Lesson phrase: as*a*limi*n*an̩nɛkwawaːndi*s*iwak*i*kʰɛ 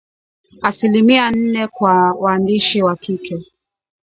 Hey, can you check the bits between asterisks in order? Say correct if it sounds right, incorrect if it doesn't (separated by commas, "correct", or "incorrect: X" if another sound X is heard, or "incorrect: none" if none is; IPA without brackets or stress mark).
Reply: incorrect: i, incorrect: none, incorrect: ʃ, correct